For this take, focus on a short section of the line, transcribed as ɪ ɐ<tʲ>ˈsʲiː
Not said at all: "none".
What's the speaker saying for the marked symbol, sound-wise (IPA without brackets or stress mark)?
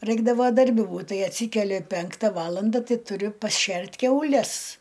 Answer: tʲ